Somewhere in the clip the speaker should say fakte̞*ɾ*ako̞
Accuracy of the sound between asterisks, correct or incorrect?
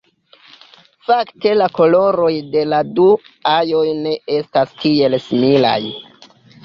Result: incorrect